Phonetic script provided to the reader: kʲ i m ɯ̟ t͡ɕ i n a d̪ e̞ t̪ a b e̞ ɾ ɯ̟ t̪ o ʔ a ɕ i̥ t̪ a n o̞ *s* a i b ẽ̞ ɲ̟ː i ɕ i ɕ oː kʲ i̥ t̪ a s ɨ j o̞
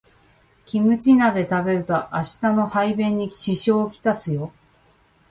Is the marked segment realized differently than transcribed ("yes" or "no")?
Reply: yes